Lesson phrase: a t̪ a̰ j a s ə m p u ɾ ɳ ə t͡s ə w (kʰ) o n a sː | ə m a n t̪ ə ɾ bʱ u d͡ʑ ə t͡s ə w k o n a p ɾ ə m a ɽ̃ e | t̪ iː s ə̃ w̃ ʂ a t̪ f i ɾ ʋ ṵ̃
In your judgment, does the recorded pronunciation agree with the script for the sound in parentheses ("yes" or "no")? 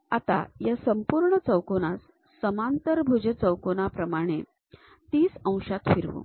no